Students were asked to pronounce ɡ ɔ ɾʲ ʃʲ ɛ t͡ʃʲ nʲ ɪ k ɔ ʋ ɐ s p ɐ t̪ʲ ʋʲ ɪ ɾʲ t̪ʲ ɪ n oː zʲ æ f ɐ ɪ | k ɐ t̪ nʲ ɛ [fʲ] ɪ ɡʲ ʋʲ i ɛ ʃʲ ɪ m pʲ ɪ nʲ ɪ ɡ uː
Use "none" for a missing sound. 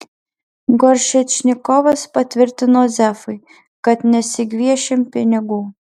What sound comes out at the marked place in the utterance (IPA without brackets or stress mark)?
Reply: sʲ